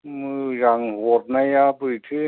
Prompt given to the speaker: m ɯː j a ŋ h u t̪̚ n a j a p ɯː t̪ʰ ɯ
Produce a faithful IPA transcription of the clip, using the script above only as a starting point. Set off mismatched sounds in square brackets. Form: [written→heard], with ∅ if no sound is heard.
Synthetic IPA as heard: m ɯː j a ŋ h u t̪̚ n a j a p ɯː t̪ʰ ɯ